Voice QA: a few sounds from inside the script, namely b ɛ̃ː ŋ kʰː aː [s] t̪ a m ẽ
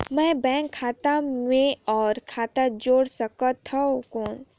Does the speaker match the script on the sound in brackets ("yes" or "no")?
no